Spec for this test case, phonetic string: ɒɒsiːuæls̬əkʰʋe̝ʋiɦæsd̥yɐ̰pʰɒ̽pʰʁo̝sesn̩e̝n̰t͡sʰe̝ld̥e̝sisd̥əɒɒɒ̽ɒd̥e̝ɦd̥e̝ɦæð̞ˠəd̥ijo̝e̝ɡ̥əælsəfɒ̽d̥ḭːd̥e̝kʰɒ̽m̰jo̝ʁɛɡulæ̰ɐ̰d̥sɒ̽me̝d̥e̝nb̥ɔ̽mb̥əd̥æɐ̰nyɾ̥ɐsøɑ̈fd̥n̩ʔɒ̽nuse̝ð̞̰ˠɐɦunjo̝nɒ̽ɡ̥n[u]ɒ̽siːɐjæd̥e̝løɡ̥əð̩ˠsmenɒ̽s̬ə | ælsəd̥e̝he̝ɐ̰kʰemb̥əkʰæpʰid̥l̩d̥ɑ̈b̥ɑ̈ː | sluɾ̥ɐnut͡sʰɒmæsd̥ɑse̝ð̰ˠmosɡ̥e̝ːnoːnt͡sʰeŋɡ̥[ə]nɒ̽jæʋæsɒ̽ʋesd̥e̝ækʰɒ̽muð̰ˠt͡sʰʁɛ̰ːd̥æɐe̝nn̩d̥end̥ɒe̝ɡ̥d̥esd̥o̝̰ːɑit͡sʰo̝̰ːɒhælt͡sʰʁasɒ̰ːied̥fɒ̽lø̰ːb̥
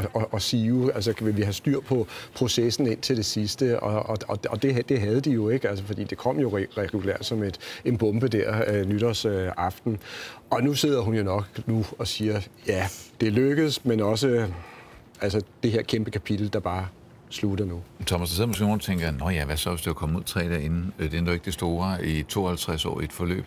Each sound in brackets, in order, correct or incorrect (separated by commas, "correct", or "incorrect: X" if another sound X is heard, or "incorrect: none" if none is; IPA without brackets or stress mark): correct, incorrect: ɐ